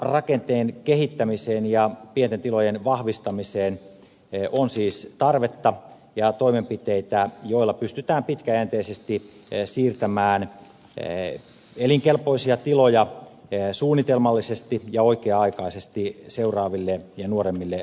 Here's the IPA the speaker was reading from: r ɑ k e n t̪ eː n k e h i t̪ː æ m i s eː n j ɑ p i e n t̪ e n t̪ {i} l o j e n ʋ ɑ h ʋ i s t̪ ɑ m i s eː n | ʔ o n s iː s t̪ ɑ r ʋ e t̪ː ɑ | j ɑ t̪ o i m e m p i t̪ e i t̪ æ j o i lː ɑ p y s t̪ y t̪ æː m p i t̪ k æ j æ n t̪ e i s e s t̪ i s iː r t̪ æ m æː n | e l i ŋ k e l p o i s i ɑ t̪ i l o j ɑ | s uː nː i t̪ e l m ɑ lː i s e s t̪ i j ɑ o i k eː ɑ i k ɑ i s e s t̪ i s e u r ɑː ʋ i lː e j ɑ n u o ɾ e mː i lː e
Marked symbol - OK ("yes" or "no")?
yes